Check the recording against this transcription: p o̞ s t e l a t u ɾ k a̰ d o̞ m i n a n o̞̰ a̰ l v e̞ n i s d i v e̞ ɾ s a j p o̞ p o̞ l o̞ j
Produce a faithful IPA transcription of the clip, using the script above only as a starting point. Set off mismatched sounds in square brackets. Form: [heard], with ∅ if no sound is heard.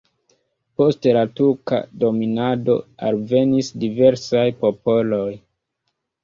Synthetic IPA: p o̞ s t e l a t u ɾ k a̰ d o̞ m i n a [d] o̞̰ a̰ l v e̞ n i s d i v e̞ ɾ s a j p o̞ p o̞ l o̞ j